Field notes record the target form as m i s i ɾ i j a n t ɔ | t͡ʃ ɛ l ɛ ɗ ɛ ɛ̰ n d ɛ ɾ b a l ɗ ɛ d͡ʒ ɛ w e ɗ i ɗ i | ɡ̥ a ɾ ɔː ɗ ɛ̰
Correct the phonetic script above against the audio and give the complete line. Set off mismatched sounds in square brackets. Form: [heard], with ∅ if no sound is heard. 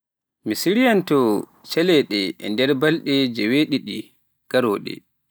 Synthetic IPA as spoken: m i s i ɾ i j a n t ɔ | t͡ʃ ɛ l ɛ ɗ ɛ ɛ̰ n d ɛ ɾ b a l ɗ ɛ d͡ʒ ɛ w e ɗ i ɗ i | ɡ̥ a ɾ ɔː ɗ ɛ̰